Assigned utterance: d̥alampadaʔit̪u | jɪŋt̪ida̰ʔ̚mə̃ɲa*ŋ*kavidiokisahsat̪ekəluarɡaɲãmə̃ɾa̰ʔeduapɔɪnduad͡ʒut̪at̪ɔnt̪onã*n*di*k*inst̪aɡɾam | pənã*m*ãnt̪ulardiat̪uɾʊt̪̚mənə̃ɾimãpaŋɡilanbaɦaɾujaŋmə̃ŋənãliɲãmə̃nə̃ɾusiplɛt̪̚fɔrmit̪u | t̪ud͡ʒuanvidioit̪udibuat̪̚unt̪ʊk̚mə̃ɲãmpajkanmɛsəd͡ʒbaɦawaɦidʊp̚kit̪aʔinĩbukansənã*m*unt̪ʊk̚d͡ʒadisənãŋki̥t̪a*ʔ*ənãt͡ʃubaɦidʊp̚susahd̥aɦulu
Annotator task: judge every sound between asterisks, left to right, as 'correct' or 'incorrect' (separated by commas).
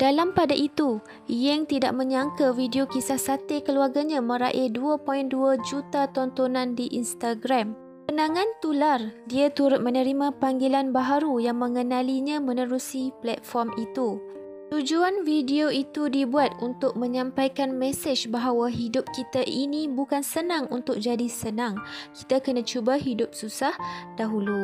correct, correct, incorrect, incorrect, incorrect, incorrect